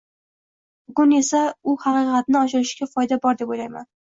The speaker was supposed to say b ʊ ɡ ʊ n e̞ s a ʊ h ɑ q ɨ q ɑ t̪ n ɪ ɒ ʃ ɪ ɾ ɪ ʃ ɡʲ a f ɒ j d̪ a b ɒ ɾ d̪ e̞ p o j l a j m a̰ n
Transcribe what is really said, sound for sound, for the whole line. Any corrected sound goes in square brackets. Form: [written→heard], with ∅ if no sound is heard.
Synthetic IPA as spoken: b ʊ ɡ ʊ n e̞ s a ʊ h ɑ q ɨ q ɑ t̪ n ɪ ɒ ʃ ɪ ɾ ɪ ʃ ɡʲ a f ɒ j d̪ a b ɒ ɾ d̪ e̞ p o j l a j m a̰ n